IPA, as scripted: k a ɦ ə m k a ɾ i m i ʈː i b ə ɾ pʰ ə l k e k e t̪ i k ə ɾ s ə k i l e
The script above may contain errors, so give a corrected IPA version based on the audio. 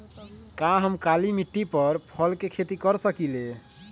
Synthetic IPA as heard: k a ɦ ə m k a l i m i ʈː i p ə ɾ pʰ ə l k e kʰ e t̪ i k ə ɾ s ə k i l e